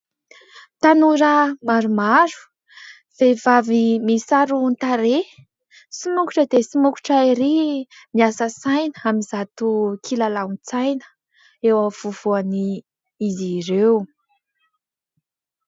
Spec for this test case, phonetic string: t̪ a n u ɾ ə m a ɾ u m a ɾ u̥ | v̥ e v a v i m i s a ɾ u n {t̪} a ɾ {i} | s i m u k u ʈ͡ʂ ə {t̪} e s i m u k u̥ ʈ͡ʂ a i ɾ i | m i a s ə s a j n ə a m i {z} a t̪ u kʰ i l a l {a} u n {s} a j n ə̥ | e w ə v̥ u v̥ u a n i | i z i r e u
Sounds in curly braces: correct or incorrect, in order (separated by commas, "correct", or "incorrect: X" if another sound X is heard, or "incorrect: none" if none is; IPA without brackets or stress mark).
correct, incorrect: e, incorrect: d̪, correct, correct, incorrect: t͡s